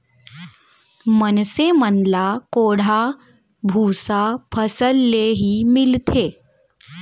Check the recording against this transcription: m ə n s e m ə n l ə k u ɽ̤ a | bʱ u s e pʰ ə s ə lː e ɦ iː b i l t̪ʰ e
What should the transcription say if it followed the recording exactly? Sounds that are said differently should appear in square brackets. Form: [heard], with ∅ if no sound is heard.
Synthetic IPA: m ə n s e m ə n l [a] k [o] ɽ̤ a | bʱ u s [a] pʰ ə s ə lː e ɦ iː [m] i l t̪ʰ e